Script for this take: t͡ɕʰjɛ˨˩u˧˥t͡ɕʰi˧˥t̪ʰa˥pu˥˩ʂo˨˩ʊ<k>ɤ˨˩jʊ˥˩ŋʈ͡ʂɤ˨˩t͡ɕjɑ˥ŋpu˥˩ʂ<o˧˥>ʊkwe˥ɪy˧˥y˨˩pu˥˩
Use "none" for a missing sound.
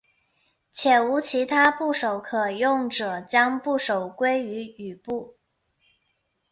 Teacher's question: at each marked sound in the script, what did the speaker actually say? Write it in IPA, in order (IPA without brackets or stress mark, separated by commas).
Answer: kʰ, o˨˩